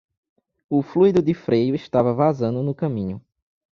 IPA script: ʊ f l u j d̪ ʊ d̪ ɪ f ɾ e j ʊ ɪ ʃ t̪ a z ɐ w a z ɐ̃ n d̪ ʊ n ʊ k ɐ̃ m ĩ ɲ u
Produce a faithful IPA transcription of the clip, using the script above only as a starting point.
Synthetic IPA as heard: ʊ f l u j d̪ ʊ d̪ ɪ f ɾ e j ʊ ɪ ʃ t̪ a v ɐ v a z ɐ̃ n d̪ ʊ n ʊ k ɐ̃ m ĩ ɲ ʊ